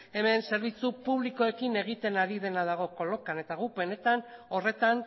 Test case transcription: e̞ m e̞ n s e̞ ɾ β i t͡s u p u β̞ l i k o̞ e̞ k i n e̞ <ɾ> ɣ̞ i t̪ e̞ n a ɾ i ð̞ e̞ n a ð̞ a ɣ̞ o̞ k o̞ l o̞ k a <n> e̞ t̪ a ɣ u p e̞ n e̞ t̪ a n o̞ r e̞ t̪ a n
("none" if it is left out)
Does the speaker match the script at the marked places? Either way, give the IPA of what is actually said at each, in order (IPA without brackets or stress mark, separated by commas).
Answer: none, n